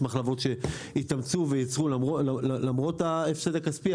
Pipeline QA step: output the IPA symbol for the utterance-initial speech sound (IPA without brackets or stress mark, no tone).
m